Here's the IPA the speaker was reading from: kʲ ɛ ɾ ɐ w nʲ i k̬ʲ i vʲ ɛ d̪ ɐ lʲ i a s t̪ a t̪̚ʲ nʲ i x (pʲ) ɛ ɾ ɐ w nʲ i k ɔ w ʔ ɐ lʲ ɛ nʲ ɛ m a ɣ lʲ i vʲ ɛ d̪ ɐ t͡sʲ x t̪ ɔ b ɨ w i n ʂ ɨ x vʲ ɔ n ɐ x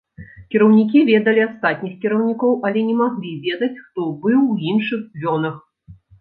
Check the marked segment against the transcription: incorrect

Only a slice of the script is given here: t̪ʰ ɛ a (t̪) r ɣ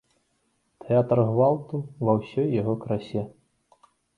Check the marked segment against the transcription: correct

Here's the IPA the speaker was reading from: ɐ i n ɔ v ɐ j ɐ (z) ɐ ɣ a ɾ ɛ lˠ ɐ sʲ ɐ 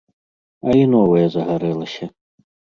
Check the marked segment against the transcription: correct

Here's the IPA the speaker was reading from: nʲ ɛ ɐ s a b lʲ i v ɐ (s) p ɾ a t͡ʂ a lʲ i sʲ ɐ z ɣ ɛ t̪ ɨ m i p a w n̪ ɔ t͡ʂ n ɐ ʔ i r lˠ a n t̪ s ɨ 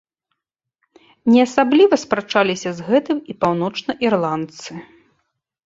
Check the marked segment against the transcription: correct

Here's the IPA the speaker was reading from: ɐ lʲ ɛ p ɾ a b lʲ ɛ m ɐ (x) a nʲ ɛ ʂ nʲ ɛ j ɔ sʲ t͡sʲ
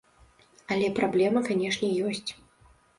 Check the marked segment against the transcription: incorrect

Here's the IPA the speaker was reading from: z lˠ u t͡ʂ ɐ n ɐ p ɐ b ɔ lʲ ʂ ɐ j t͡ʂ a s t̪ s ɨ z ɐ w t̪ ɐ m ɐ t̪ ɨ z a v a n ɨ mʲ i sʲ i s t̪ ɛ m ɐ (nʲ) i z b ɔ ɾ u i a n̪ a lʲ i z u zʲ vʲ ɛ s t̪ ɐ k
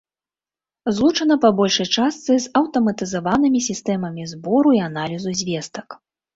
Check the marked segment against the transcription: incorrect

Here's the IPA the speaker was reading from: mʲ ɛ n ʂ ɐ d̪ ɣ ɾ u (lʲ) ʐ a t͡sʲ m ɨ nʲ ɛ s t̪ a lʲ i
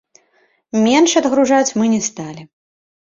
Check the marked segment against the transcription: incorrect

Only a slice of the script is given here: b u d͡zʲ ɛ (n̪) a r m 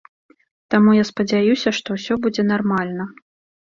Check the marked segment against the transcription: correct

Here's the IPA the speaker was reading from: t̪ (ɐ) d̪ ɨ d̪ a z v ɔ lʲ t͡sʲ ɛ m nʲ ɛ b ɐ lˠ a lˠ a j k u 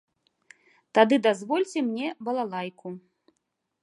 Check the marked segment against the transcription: incorrect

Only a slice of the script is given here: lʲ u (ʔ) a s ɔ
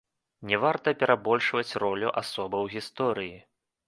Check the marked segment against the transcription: correct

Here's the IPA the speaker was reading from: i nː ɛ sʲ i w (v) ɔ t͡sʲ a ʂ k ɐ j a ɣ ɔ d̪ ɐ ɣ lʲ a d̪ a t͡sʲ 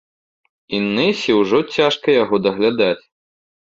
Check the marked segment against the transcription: incorrect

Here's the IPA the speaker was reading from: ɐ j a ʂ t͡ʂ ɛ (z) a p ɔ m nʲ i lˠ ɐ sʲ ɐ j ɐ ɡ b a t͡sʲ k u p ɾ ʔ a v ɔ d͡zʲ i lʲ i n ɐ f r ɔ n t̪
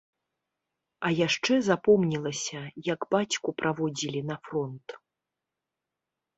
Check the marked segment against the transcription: correct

